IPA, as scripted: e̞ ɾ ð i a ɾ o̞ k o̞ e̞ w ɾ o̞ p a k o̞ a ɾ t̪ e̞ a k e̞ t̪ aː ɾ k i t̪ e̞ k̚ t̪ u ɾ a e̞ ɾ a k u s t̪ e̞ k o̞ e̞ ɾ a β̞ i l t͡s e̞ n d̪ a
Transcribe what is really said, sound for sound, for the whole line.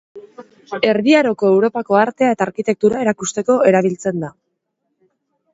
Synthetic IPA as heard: e̞ ɾ ð i a ɾ o̞ k o̞ e̞ w ɾ o̞ p a k o̞ a ɾ t̪ e̞ a e̞ t̪ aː ɾ k i t̪ e̞ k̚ t̪ u ɾ a e̞ ɾ a k u s t̪ e̞ k o̞ e̞ ɾ a β̞ i l t͡s e̞ n d̪ a